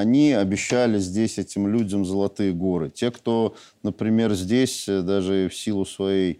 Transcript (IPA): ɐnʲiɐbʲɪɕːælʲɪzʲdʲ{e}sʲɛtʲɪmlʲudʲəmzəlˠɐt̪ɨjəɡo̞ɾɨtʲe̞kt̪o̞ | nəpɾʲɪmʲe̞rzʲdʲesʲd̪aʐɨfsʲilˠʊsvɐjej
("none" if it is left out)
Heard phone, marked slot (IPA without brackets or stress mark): e